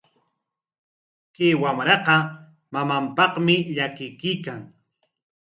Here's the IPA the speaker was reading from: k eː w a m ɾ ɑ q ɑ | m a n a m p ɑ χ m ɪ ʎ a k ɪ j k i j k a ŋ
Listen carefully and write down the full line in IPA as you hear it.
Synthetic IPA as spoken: k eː w a m ɾ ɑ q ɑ | m a m a m p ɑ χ m ɪ ʎ a k ɪ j k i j k a ŋ